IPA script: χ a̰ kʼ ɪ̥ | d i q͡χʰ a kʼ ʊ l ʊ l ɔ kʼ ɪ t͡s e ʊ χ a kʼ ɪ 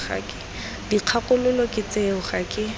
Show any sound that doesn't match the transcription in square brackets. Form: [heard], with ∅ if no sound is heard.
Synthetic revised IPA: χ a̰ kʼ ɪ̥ | d i q͡χʰ a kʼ ʊ l ʊ l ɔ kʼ ɪ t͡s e ʊ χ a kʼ ɪ